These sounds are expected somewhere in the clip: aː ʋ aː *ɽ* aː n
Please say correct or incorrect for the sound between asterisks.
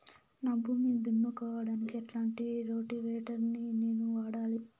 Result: correct